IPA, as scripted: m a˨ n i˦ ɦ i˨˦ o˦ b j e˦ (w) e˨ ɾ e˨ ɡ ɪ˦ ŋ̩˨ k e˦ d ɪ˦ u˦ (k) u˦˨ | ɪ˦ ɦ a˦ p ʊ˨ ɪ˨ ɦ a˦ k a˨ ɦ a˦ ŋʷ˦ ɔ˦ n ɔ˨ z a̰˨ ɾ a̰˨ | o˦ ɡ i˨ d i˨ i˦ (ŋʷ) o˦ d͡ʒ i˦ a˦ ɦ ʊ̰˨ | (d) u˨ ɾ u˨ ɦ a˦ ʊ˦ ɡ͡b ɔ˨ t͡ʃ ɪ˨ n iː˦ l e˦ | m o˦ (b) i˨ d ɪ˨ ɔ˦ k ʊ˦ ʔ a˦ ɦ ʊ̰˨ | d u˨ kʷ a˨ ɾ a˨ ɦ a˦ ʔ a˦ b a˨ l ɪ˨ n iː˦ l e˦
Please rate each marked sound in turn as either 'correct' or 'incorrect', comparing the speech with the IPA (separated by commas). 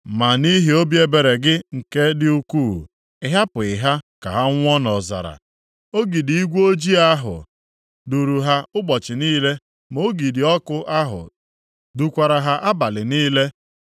incorrect, correct, incorrect, correct, incorrect